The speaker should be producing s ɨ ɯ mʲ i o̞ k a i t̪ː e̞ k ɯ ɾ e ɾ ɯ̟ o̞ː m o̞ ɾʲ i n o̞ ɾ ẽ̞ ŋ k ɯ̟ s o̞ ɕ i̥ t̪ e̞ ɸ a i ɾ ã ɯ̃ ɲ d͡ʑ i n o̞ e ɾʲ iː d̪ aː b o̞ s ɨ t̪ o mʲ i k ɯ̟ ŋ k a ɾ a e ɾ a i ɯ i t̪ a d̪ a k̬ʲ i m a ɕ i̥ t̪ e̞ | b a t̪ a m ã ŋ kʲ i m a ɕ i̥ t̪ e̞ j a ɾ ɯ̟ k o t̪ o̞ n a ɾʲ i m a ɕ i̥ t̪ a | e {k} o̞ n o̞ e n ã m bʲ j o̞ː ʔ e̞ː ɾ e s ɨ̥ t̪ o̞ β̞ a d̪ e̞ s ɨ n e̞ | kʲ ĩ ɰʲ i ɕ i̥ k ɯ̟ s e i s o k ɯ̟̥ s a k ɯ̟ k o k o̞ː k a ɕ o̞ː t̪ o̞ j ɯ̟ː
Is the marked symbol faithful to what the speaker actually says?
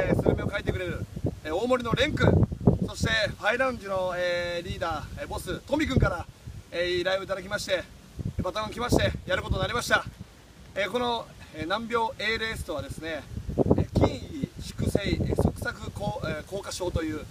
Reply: yes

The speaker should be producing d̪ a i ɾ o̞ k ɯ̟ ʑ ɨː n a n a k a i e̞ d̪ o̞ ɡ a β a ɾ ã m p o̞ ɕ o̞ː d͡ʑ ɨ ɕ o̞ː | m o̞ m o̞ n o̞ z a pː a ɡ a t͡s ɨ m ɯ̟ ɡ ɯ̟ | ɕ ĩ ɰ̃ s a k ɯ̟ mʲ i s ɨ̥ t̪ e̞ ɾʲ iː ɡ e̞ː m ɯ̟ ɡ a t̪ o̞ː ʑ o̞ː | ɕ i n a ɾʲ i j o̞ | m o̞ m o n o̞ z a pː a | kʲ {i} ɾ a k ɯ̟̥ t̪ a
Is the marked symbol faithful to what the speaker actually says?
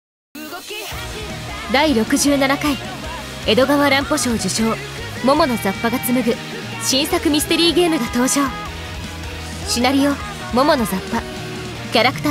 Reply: no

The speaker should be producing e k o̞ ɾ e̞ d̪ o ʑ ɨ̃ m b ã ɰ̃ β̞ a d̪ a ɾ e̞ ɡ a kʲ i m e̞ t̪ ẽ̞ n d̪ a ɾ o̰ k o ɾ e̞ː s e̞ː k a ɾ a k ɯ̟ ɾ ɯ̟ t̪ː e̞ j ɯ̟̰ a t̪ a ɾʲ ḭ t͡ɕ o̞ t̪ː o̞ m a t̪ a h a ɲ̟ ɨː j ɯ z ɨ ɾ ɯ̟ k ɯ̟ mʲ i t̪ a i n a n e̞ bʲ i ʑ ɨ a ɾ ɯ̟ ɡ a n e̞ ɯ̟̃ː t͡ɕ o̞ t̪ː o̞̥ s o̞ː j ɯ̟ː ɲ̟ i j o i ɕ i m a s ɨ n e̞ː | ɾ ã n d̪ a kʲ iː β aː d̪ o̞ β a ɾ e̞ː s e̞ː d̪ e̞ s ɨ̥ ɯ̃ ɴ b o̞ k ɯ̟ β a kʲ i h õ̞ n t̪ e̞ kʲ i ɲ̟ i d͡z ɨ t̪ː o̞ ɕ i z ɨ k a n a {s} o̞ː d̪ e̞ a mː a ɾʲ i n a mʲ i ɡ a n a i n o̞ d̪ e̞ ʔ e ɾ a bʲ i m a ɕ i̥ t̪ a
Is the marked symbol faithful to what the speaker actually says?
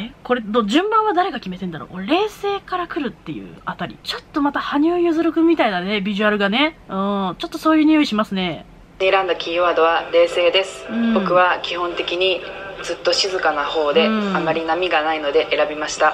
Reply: no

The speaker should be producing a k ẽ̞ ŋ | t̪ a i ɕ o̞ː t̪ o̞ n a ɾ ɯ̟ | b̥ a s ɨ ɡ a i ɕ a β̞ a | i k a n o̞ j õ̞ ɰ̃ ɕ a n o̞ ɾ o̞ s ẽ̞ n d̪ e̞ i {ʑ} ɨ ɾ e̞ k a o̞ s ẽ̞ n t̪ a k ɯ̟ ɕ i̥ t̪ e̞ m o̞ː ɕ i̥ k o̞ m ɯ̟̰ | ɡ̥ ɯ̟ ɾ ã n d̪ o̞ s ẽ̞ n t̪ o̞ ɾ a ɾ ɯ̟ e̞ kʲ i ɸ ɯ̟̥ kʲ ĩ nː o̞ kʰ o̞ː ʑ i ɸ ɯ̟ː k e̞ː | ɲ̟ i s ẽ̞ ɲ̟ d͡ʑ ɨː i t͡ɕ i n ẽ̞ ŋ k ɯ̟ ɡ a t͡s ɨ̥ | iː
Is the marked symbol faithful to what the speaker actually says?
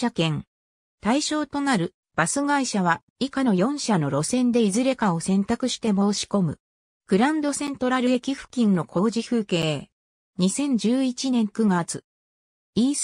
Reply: no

